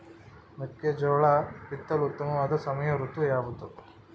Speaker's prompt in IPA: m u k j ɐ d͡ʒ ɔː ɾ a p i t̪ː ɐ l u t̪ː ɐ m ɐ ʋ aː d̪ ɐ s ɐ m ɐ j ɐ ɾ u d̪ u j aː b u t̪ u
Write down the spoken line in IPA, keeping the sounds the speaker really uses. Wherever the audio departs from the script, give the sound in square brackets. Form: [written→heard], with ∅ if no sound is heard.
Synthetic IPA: m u k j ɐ d͡ʒ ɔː [ɾ→ɭ] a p i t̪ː ɐ l u t̪ː ɐ m ɐ ʋ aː d̪ ɐ s ɐ m ɐ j ɐ ɾ u [d̪→t̪] u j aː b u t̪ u